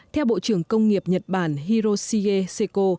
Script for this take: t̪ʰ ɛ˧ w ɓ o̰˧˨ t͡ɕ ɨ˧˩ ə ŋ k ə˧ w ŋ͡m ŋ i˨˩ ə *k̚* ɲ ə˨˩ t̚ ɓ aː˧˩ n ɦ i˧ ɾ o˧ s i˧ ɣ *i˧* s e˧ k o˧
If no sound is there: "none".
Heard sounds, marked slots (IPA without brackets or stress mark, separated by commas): p̚, e˧